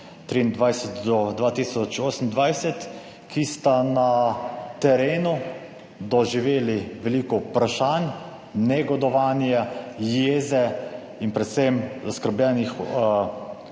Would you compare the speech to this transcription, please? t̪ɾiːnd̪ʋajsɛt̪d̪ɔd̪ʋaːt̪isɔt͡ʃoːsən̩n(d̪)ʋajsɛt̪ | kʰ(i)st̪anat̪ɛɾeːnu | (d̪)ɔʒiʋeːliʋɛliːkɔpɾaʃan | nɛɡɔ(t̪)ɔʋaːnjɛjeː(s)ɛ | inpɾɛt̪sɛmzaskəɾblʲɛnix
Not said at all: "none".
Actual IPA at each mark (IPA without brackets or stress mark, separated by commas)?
d̪, i, d̪, d̪, z